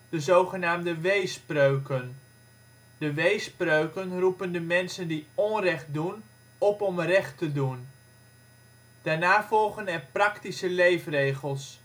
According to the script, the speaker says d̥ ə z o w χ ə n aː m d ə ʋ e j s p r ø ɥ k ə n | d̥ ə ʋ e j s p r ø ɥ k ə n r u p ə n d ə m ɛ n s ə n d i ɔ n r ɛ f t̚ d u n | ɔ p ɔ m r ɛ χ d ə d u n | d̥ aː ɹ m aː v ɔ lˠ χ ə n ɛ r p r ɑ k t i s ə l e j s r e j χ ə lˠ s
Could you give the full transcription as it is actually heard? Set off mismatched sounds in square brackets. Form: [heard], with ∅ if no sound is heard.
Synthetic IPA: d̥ ə z o w χ ə n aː m d ə ʋ e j s p r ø ɥ k ə n | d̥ ə ʋ e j s p r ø ɥ k ə n r u p ə n d ə m ɛ n s ə n d i ɔ n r ɛ [χ] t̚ d u n | ɔ p ɔ m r ɛ χ [t] ə d u n | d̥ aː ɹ [n] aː v ɔ lˠ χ ə n ɛ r p r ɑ k t i s ə l e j [f] r e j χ ə lˠ s